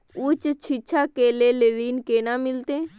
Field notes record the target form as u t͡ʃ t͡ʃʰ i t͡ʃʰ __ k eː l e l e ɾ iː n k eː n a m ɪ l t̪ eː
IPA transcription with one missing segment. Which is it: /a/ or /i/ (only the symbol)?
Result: a